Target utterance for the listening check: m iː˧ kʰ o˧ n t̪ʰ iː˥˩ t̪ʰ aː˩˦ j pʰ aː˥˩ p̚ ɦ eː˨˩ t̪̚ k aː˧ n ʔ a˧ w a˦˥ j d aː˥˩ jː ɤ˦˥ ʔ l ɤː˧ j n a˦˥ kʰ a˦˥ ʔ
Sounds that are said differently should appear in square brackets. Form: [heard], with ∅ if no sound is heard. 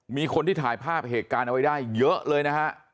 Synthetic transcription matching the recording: m iː˧ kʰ o˧ n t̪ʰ iː˥˩ t̪ʰ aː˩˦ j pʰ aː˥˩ p̚ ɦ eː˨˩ t̪̚ k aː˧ n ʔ a˧ w a˦˥ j d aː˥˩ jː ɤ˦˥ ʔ l ɤː˧ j n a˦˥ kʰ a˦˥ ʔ